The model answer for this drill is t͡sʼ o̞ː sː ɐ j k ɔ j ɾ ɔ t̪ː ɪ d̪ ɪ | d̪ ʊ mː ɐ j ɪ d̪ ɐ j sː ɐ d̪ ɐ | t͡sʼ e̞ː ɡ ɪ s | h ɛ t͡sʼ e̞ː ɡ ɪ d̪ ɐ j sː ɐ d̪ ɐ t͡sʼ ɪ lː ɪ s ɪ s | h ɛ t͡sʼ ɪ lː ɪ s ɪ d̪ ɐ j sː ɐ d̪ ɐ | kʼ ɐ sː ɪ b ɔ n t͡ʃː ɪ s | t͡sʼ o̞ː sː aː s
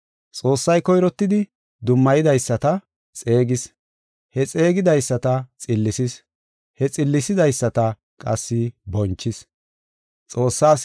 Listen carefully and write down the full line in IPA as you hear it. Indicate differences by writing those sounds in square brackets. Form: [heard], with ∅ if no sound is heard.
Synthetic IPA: t͡sʼ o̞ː sː ɐ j k ɔ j ɾ ɔ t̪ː ɪ d̪ ɪ | d̪ ʊ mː ɐ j ɪ d̪ ɐ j sː ɐ [t̪] ɐ | t͡sʼ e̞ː ɡ ɪ s | h ɛ t͡sʼ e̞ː ɡ ɪ d̪ ɐ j sː ɐ [t̪] ɐ t͡sʼ ɪ lː ɪ s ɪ s | h ɛ t͡sʼ ɪ lː ɪ s ɪ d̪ ɐ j sː ɐ [t̪] ɐ | kʼ ɐ sː ɪ b ɔ n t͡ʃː ɪ s | t͡sʼ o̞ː sː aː s